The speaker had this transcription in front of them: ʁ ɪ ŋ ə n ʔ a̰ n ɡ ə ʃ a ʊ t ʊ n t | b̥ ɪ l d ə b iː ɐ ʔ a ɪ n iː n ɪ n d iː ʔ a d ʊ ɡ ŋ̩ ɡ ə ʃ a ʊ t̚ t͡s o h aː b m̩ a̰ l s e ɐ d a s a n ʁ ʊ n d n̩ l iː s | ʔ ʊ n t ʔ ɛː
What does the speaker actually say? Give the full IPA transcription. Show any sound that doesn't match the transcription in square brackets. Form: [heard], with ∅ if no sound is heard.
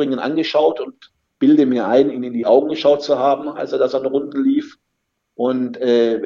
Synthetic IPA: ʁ ɪ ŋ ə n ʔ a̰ n ɡ ə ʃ a ʊ t ʊ n t | b̥ ɪ l d ə [m] iː ɐ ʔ a ɪ n iː n ɪ n d iː ʔ a [∅] ʊ ɡ ŋ̩ ɡ ə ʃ a ʊ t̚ t͡s [u] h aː b m̩ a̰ l s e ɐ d a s a n ʁ ʊ n d n̩ l iː [f] | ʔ ʊ n t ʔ ɛː